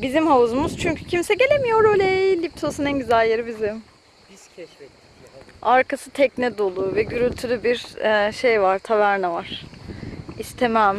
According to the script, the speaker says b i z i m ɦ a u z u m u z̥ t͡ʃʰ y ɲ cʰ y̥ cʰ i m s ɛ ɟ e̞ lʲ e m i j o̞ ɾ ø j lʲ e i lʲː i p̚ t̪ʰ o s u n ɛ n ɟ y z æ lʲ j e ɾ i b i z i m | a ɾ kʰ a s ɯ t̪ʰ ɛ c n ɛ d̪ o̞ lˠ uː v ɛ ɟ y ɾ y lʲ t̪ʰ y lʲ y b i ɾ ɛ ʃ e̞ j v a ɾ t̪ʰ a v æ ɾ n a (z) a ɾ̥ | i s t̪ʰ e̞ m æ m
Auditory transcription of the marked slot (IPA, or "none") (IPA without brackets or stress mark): v